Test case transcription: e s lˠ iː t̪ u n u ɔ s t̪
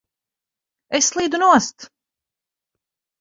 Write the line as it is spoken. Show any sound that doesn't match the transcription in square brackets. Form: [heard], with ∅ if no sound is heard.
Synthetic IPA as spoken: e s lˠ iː [d̪] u n u ɔ s t̪